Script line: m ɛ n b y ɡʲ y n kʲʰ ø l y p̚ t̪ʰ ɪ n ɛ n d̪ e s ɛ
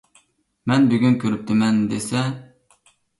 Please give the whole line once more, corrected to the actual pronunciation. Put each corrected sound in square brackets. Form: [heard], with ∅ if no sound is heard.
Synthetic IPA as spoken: m ɛ n b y ɡʲ y n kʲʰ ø [ɾ] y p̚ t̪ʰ ɪ [m] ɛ n d̪ e s ɛ